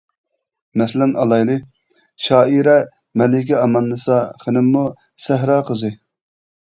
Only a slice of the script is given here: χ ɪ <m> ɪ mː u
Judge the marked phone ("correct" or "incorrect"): incorrect